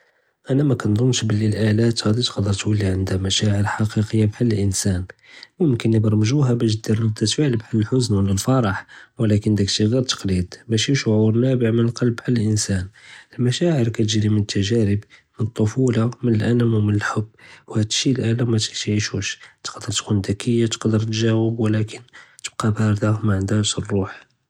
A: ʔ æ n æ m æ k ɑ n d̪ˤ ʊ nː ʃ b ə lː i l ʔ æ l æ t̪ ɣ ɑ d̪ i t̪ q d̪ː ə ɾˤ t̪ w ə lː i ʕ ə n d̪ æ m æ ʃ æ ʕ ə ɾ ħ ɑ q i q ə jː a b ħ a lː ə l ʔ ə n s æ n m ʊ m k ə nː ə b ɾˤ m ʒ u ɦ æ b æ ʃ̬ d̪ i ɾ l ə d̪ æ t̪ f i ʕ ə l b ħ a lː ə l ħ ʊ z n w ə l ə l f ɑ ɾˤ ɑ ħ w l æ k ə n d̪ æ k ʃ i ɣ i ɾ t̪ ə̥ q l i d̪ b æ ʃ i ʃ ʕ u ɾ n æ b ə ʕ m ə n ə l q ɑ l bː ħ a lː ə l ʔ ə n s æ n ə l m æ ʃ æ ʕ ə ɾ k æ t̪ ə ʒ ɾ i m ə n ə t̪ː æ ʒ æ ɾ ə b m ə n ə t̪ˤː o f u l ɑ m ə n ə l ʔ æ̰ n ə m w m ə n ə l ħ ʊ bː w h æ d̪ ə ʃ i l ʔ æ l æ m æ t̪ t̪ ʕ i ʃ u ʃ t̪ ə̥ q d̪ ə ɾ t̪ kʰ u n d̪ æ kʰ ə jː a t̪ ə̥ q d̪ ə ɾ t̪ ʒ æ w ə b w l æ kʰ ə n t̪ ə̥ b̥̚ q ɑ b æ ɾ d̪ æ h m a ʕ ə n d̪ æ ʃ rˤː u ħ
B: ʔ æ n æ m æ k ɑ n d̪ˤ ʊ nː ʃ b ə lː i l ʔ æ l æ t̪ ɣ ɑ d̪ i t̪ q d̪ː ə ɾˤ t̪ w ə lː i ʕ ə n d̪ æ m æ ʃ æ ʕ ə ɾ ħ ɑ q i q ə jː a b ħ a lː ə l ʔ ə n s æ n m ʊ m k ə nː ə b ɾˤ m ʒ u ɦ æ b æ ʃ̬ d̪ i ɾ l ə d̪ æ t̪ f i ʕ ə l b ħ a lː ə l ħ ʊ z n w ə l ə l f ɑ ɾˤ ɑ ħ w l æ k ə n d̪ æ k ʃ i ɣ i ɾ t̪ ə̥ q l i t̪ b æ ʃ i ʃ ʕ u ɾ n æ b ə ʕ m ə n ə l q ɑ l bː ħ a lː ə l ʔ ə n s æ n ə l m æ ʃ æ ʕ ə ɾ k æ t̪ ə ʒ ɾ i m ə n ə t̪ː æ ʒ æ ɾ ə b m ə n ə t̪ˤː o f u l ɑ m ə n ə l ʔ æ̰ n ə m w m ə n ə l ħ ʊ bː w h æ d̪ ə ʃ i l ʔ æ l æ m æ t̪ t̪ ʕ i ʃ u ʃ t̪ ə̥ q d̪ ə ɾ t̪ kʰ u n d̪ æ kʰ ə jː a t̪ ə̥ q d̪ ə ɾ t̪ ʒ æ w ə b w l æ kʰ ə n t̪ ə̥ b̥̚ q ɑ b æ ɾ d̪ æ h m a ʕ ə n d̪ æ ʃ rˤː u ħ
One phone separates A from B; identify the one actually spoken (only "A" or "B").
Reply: A